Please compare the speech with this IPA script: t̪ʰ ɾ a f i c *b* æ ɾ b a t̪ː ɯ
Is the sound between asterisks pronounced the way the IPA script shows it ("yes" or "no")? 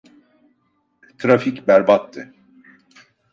yes